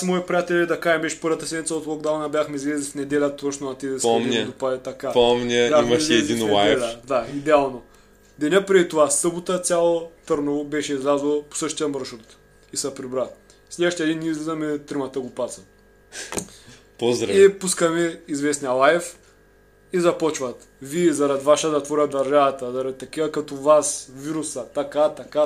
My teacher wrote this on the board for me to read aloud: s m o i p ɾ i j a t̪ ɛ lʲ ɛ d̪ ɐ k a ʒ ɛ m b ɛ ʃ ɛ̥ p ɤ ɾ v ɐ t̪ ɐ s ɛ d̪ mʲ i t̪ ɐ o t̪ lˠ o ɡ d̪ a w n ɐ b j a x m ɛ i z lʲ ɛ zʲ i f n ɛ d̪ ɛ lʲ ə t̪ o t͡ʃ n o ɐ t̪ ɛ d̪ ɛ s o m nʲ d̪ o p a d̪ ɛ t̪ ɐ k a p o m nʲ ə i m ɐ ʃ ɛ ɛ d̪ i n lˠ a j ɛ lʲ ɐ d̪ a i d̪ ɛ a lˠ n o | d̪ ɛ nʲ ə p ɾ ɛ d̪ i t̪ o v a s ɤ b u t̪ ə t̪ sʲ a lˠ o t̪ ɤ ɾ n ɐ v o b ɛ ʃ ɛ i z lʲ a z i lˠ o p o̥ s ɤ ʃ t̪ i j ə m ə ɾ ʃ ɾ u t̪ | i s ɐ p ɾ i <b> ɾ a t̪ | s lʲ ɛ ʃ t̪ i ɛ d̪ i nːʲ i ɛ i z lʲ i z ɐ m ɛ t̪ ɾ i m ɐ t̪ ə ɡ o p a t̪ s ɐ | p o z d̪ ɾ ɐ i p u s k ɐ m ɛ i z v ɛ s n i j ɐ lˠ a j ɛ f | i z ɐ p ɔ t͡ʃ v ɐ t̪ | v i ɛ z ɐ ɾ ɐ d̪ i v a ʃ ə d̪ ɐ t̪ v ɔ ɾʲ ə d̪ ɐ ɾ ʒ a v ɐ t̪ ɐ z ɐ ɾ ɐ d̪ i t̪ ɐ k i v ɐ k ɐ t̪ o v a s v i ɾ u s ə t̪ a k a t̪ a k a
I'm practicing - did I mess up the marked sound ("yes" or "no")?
no